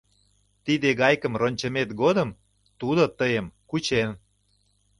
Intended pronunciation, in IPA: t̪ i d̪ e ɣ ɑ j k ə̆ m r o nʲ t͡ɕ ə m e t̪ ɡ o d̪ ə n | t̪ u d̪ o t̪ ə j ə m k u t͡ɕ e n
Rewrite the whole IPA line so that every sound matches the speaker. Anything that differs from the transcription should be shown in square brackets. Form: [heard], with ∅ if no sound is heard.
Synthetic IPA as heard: t̪ i d̪ e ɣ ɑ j k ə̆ m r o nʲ t͡ɕ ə m e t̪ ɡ o d̪ ə [m] | t̪ u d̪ o t̪ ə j ə m k u t͡ɕ e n